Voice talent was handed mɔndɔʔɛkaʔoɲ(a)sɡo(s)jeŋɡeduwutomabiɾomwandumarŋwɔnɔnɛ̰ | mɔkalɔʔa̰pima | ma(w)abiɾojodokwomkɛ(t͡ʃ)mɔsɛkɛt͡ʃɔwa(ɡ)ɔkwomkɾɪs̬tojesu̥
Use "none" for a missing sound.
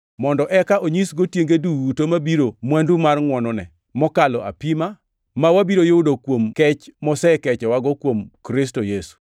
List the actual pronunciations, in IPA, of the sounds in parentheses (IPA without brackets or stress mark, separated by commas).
i, t, w, t͡ʃ, ɡ